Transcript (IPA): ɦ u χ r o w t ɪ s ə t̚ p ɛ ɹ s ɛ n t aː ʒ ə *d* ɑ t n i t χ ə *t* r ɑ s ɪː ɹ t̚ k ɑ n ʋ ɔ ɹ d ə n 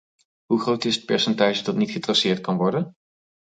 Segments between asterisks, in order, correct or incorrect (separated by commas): correct, correct